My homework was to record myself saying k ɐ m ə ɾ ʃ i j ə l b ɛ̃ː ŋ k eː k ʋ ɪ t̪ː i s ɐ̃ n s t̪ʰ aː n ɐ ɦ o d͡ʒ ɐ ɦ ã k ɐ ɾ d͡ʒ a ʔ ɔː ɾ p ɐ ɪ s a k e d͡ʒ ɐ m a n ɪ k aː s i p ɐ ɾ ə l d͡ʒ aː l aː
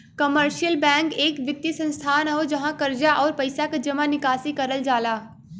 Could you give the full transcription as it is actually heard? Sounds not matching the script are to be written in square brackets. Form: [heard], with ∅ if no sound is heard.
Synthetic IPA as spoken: k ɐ m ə ɾ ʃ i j ə l b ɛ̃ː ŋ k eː k ʋ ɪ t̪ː i s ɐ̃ n s t̪ʰ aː n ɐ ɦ o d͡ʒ ɐ ɦ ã k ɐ ɾ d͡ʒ a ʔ ɔː ɾ p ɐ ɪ s a k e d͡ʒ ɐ m a n ɪ k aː s i [k] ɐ ɾ ə l d͡ʒ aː l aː

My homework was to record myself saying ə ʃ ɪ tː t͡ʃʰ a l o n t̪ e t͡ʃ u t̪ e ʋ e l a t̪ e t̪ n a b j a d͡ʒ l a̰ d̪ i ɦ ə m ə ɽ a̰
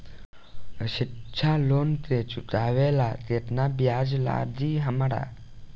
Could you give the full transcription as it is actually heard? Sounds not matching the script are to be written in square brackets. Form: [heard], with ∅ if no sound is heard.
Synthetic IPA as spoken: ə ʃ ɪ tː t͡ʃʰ a l o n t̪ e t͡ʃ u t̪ [a] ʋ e l a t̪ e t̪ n a b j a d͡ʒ l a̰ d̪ i ɦ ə m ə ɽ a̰

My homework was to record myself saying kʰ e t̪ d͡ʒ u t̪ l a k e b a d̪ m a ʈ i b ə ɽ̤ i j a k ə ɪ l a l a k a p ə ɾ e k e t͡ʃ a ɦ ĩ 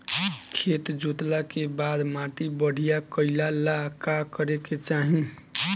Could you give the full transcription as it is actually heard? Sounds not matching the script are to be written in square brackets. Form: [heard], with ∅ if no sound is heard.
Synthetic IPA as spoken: kʰ e t̪ d͡ʒ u t̪ l a k e b a d̪ m a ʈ i b ə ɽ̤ i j a k ə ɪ l a l a k a [k] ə ɾ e k e t͡ʃ a ɦ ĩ

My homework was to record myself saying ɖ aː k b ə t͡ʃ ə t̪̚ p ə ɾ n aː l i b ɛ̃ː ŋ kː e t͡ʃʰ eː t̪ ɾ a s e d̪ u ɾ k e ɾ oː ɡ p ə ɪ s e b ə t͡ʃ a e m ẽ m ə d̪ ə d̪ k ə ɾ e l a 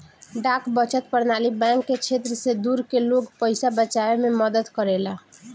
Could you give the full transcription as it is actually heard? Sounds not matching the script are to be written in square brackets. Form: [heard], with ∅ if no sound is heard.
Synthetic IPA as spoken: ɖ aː k b ə t͡ʃ ə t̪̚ p ə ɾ n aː l i b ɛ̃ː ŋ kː e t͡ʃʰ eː t̪ ɾ [ə] s e d̪ u ɾ k e [l] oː ɡ p ə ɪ s [a] b ə t͡ʃ a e m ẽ m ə d̪ ə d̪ k ə ɾ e l a

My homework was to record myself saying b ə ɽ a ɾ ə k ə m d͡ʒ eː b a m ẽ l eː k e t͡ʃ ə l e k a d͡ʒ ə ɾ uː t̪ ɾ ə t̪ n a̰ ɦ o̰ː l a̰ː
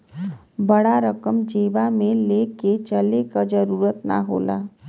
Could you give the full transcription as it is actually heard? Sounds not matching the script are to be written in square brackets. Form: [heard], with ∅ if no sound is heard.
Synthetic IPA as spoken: b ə ɽ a ɾ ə k ə m d͡ʒ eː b a m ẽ l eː k e t͡ʃ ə l e k a d͡ʒ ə ɾ uː [∅] ɾ ə t̪ n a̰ ɦ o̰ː l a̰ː

